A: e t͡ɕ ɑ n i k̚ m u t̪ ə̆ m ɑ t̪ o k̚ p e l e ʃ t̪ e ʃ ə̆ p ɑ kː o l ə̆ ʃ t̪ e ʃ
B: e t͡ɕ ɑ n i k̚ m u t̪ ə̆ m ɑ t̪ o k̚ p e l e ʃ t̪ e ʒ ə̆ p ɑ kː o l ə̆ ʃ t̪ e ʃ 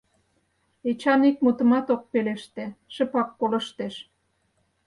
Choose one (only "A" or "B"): A